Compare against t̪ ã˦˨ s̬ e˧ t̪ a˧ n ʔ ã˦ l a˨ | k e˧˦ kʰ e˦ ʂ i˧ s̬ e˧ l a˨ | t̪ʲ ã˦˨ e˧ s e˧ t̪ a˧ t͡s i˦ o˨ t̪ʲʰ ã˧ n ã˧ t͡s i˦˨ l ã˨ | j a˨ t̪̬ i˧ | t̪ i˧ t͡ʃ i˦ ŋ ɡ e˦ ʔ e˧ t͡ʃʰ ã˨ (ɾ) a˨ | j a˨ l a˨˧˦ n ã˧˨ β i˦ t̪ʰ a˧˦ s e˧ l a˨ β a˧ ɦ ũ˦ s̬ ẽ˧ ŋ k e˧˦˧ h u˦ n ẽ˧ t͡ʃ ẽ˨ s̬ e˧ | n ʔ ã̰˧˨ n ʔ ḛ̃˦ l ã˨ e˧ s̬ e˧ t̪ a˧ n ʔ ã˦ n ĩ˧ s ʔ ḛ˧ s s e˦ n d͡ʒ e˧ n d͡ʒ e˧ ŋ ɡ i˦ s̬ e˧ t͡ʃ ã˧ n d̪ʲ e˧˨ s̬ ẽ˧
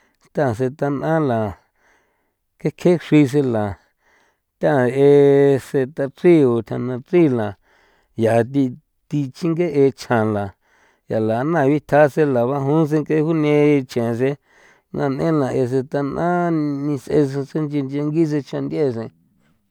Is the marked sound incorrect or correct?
incorrect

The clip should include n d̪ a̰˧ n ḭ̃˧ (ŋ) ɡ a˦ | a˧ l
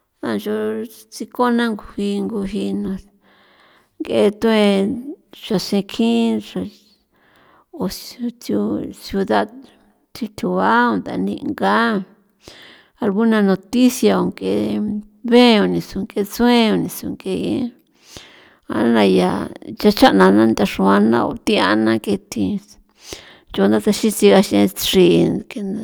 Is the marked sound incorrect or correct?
correct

